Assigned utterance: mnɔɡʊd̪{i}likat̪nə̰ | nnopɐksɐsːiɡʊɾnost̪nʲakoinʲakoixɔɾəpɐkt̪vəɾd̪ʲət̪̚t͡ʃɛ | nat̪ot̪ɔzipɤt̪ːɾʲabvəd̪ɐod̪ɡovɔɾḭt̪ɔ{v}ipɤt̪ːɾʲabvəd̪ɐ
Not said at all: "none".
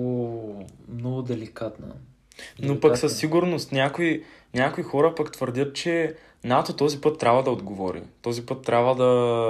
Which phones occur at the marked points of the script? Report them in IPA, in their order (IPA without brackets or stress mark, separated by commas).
ɛ, z